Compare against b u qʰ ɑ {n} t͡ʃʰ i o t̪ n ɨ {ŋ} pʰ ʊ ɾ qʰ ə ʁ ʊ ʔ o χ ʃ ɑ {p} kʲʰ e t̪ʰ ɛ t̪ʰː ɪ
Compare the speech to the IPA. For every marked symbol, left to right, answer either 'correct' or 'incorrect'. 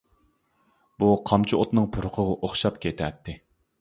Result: incorrect: m, correct, correct

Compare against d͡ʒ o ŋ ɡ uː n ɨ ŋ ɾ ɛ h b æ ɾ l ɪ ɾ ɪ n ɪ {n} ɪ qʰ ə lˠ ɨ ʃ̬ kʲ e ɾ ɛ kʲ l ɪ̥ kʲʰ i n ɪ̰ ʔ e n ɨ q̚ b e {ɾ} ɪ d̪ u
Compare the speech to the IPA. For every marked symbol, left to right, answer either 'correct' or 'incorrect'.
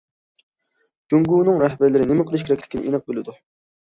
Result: incorrect: m, incorrect: l

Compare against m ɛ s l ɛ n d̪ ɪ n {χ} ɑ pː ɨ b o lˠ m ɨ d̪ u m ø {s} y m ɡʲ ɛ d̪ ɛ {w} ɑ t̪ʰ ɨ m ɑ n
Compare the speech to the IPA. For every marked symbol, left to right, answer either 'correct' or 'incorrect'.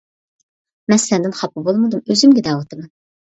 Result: correct, incorrect: z, correct

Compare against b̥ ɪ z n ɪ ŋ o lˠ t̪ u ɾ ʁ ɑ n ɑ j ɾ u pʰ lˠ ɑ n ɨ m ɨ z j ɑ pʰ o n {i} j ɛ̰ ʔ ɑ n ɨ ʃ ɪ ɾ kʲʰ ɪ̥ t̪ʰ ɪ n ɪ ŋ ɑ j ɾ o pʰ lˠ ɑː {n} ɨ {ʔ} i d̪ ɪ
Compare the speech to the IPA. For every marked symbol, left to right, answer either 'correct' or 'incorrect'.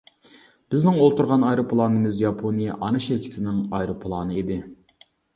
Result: correct, correct, incorrect: none

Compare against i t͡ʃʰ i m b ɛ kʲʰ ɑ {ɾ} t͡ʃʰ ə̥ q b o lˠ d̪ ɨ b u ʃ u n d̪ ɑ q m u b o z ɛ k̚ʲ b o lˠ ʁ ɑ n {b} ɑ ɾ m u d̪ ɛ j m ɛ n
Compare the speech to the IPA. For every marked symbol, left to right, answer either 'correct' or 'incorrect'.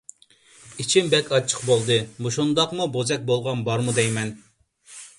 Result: incorrect: none, correct

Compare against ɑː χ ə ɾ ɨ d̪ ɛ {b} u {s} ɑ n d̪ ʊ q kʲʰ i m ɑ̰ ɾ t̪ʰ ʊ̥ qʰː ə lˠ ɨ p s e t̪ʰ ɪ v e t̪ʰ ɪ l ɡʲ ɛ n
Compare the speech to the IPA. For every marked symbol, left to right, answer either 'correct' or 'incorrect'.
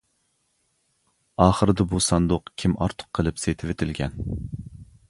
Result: correct, correct

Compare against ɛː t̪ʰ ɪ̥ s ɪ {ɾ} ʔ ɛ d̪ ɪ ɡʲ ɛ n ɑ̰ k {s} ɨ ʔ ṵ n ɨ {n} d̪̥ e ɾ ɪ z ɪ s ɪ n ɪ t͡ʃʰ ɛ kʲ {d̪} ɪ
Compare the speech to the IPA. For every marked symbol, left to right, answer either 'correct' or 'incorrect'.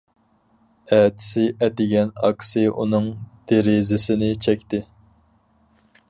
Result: incorrect: none, correct, incorrect: ŋ, incorrect: t̪

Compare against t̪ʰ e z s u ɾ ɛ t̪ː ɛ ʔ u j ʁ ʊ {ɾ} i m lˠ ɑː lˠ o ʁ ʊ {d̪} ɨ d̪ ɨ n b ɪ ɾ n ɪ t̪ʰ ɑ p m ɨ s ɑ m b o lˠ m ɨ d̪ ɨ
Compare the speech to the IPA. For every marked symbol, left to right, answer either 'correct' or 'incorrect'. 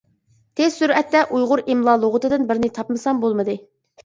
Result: correct, incorrect: t̪

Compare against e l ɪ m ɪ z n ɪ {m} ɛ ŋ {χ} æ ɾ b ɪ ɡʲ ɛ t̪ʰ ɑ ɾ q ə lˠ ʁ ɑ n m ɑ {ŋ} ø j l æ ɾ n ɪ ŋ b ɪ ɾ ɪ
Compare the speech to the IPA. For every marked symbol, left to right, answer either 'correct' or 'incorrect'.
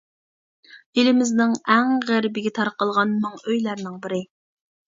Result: incorrect: ŋ, incorrect: ʁ, correct

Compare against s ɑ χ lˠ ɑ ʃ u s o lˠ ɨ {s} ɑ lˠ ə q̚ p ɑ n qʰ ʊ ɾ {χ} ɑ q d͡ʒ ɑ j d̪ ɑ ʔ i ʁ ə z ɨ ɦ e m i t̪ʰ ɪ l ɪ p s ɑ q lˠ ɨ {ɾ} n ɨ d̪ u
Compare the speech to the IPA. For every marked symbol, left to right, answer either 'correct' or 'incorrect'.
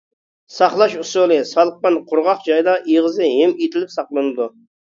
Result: correct, incorrect: ʁ, incorrect: none

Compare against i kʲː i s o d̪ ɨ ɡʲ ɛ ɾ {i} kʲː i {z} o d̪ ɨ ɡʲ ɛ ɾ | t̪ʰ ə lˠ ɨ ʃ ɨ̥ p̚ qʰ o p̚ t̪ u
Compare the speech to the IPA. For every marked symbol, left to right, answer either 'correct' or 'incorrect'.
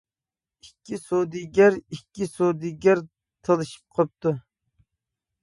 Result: correct, incorrect: s

